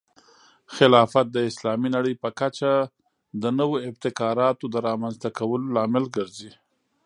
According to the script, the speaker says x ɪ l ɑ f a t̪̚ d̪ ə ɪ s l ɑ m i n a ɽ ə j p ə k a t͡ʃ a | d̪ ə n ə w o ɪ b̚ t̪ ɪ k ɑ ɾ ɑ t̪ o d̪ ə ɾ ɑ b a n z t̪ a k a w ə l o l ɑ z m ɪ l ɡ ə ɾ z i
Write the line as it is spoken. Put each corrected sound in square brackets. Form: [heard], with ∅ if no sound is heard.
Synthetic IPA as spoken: x ɪ l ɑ f a t̪̚ d̪ ə ɪ s l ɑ m i n a ɽ ə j p ə k a t͡ʃ a | d̪ ə n ə w o ɪ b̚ t̪ ɪ k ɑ ɾ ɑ t̪ o d̪ ə ɾ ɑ [m] a n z t̪ a k a w ə l o l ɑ [∅] m ɪ l ɡ ə ɾ z i